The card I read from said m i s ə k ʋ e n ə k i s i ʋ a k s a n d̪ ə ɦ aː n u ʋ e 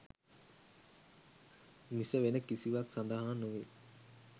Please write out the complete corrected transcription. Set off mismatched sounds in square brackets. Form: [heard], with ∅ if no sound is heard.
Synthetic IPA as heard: m i s ə [∅] ʋ e n ə k i s i ʋ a k s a n d̪ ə ɦ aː n u ʋ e

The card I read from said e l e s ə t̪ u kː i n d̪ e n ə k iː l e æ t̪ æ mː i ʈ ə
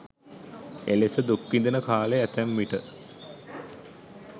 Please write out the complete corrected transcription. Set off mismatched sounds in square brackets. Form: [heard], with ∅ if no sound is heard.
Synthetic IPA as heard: e l e s ə [d̪] u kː i n d̪ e n ə k [aː] l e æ t̪ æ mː i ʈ ə

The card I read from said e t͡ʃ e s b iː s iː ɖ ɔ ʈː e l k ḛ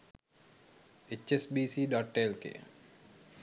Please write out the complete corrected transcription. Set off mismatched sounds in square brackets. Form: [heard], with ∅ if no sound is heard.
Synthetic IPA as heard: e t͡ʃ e s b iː s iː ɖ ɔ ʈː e l k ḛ

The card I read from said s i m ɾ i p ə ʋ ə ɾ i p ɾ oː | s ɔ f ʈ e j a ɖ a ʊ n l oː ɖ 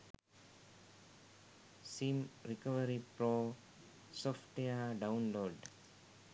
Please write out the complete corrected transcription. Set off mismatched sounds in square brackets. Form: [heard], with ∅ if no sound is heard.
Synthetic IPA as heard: s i m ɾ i [k] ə ʋ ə ɾ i p ɾ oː | s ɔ f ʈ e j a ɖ a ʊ n l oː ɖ

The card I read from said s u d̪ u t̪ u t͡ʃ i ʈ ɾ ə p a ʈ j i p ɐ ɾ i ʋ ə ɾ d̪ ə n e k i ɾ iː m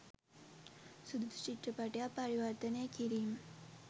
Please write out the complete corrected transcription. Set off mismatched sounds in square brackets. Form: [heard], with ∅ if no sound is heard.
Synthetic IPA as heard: s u d̪ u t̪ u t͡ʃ i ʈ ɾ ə p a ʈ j [a] p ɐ ɾ i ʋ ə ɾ [t̪] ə n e k i ɾ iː m

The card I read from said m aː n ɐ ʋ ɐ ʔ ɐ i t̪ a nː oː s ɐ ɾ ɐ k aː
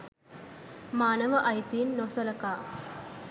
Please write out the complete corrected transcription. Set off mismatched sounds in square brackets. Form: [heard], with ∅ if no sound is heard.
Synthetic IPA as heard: m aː n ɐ ʋ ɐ ʔ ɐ [j] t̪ [i] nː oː s ɐ [l] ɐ k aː

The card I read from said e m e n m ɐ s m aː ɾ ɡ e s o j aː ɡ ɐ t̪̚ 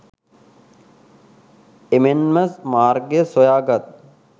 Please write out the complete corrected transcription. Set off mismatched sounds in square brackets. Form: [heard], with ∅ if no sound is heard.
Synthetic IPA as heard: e m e n m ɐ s m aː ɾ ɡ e s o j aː ɡ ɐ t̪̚

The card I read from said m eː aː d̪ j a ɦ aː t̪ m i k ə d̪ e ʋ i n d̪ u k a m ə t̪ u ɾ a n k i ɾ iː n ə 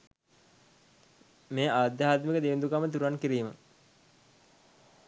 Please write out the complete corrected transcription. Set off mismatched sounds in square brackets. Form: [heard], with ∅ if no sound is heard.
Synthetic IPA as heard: m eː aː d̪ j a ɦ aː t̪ m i k ə d̪ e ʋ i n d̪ u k a m ə t̪ u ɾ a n k i ɾ iː [m] ə

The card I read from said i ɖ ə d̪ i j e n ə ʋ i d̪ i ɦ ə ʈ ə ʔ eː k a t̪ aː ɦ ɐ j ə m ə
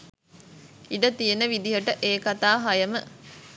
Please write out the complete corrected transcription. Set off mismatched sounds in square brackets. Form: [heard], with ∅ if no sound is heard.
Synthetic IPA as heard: i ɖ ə [t̪] i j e n ə ʋ i d̪ i ɦ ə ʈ ə ʔ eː k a t̪ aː ɦ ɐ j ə m ə

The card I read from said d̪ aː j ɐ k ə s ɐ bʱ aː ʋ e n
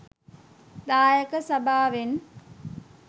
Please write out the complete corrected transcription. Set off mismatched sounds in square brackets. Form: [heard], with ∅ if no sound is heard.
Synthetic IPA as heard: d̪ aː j [ə] k ə s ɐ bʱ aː ʋ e n

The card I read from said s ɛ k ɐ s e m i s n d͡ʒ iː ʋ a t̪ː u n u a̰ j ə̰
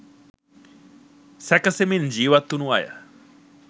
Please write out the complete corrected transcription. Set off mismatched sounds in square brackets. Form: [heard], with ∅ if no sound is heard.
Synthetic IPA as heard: s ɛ k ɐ s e m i [∅] n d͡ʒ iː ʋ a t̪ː u n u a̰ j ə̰

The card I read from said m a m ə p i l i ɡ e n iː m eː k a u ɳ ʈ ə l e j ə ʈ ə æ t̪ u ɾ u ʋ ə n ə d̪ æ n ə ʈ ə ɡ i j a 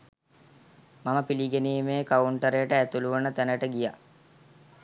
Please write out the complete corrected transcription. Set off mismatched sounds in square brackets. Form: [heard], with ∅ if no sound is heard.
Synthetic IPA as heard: m a m ə p i l i ɡ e n iː m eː k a u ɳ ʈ ə [ɾ] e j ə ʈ ə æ t̪ u [l] u ʋ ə n ə [t̪] æ n ə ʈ ə ɡ i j a

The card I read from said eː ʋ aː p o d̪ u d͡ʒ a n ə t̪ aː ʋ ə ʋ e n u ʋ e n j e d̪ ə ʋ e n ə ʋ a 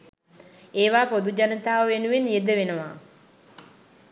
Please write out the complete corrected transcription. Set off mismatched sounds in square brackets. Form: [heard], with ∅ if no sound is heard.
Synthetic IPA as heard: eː ʋ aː p o d̪ u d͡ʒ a n ə t̪ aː ʋ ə ʋ e n u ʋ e n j e d̪ ə ʋ e n ə ʋ a

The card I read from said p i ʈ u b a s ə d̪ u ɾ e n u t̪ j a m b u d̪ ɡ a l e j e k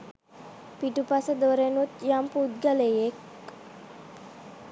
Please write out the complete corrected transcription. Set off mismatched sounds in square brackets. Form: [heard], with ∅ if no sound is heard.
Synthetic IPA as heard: p i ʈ u [p] a s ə d̪ [o] ɾ e n u t̪ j a m [p] u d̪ ɡ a l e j e k

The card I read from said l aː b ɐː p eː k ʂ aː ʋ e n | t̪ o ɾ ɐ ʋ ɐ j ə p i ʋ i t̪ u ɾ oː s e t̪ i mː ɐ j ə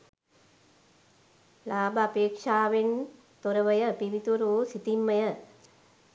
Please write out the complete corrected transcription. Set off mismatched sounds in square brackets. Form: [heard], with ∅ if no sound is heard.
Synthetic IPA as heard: l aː b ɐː p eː k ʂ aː ʋ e n | t̪ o ɾ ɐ ʋ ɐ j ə p i ʋ i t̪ u ɾ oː s [i] t̪ i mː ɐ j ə

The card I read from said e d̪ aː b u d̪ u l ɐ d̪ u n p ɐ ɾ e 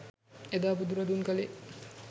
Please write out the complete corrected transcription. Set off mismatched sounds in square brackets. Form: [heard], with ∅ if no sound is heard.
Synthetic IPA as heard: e d̪ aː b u d̪ u [ɾ] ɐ d̪ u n [k] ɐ [l] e

